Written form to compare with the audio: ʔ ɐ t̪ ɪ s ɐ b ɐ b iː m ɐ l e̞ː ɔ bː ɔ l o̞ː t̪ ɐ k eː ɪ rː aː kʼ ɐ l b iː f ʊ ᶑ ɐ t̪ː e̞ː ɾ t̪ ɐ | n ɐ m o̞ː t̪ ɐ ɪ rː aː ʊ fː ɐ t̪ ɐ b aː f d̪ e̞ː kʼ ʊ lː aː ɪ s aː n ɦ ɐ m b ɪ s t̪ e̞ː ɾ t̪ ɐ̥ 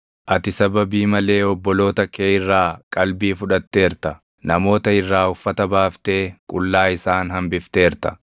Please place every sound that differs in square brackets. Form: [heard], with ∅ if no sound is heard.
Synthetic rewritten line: ʔ ɐ t̪ ɪ s ɐ b ɐ b iː m ɐ l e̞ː ɔ bː ɔ l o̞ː t̪ ɐ k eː ɪ rː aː kʼ ɐ l b iː f ʊ ᶑ ɐ t̪ː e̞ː ɾ t̪ ɐ | n ɐ m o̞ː t̪ ɐ ɪ rː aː ʊ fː ɐ t̪ ɐ b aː f [t̪] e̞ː kʼ ʊ lː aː ɪ s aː n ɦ ɐ m b ɪ [f] t̪ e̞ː ɾ t̪ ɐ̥